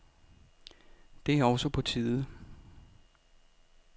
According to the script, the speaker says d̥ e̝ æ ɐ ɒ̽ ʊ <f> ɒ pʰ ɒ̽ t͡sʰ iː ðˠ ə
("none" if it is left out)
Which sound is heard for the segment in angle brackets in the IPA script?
s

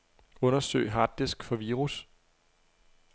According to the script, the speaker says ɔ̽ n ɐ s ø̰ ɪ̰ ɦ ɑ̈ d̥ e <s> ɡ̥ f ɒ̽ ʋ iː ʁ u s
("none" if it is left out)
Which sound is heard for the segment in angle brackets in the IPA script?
s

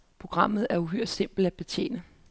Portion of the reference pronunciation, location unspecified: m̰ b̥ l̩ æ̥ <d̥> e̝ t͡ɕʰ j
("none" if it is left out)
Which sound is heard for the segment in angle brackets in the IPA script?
b̥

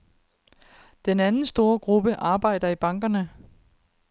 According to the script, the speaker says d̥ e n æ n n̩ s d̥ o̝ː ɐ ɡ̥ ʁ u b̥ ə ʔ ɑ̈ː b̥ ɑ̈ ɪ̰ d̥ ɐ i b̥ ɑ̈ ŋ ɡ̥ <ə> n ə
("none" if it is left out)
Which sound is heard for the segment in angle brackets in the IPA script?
ɐ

